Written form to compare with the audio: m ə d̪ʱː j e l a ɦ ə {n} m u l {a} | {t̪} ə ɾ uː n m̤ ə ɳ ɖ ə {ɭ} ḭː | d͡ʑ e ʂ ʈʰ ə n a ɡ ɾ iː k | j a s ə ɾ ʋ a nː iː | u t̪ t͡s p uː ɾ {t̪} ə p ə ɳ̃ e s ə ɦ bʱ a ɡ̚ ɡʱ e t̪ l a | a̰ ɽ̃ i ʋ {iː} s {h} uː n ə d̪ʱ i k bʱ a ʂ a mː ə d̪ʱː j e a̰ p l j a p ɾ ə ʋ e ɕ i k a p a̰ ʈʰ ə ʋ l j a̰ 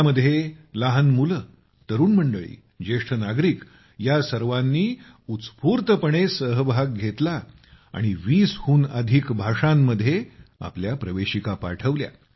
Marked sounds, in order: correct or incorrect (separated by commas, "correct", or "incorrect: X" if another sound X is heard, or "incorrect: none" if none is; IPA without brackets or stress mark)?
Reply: correct, incorrect: ə, correct, correct, correct, correct, correct